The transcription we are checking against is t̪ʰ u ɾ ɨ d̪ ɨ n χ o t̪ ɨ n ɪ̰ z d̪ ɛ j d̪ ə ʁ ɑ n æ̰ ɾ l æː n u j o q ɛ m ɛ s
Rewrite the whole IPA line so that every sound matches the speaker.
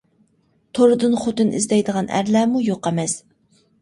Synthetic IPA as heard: t̪ʰ o ɾ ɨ d̪ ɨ n χ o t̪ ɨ n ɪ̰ z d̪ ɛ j d̪ ə ʁ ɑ n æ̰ ɾ l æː m u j o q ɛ m ɛ s